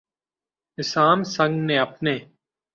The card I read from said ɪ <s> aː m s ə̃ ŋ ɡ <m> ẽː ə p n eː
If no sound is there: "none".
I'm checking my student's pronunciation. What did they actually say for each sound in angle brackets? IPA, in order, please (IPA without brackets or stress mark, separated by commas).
s, n